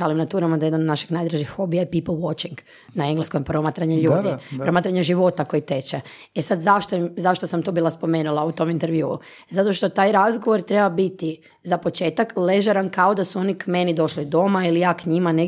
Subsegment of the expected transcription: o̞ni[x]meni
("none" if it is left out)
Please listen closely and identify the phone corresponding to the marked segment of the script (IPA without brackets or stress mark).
k